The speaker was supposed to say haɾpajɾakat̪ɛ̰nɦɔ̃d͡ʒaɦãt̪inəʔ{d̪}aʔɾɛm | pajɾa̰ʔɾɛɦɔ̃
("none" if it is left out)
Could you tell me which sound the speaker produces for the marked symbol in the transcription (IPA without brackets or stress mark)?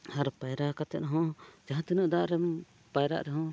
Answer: d̪